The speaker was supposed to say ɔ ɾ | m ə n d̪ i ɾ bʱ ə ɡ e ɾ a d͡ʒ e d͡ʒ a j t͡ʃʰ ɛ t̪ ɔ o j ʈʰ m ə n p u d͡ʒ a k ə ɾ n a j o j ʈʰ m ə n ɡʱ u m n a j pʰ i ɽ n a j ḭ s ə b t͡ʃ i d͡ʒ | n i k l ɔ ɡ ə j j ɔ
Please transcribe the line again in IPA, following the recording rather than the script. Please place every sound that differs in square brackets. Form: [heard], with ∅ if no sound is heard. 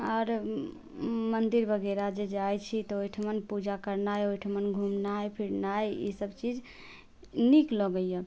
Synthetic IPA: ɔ ɾ | m ə n d̪ i ɾ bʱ ə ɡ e ɾ a d͡ʒ e d͡ʒ a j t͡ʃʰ [i] t̪ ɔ o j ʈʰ m ə n p u d͡ʒ a k ə ɾ n a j o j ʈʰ m ə n ɡʱ u m n a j pʰ i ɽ n a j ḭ s ə b t͡ʃ i d͡ʒ | n i k l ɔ ɡ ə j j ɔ